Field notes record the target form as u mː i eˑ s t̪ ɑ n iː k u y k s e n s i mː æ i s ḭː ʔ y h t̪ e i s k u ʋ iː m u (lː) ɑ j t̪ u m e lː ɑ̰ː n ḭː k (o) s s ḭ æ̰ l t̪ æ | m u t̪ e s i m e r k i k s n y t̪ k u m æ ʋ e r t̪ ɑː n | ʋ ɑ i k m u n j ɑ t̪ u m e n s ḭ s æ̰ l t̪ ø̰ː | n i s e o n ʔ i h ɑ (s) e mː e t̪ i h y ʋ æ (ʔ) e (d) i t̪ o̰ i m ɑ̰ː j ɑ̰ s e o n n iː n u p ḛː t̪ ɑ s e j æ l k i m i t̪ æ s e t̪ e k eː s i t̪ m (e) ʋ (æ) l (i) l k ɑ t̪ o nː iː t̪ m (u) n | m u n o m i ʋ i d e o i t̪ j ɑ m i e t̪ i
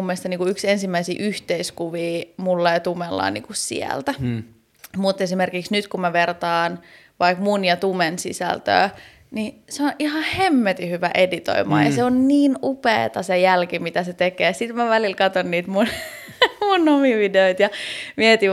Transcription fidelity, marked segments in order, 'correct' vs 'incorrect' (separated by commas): correct, incorrect, incorrect, correct, correct, incorrect, correct, correct, correct